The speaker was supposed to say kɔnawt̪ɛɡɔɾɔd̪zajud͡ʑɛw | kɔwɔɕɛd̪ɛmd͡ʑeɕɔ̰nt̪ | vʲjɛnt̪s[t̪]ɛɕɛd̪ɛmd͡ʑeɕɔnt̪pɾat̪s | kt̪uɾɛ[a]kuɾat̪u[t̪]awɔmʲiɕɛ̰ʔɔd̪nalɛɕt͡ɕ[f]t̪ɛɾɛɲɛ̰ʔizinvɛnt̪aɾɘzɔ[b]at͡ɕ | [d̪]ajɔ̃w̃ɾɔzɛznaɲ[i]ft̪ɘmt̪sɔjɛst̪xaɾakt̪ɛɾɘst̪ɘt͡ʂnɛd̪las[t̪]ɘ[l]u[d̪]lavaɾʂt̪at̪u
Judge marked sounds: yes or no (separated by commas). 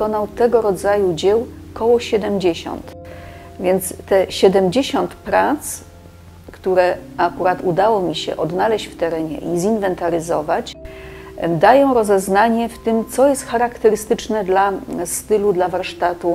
yes, yes, no, yes, no, yes, no, yes, yes, yes